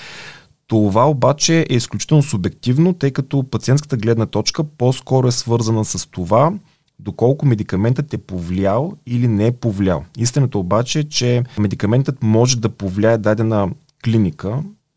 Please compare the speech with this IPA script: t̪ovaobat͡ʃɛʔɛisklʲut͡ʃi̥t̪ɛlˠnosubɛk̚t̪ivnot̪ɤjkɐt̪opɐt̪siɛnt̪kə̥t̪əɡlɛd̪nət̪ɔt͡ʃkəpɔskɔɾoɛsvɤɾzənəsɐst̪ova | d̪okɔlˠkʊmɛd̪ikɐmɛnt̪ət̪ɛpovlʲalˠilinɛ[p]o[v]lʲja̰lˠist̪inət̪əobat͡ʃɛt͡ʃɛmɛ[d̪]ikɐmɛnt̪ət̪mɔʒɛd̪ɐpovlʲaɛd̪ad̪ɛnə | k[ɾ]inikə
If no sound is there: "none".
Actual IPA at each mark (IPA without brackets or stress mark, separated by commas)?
p, v, d̪, l